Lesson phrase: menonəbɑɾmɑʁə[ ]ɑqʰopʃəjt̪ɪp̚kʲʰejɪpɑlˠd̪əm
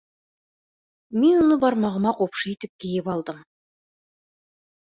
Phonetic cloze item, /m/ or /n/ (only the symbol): m